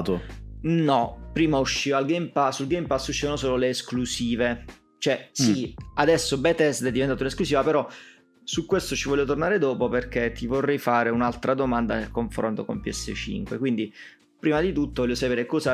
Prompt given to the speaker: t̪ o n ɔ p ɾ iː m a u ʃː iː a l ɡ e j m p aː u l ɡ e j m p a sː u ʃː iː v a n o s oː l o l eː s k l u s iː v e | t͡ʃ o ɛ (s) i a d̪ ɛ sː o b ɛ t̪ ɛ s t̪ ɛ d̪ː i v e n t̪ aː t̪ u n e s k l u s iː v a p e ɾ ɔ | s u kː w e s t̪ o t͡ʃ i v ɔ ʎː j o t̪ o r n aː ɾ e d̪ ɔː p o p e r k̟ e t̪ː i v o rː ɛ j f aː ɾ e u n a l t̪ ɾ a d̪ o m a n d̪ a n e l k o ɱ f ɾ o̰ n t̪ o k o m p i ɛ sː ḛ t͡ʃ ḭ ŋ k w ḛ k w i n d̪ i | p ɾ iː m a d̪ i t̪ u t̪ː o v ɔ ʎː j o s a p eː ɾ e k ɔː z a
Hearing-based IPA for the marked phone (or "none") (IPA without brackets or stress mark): s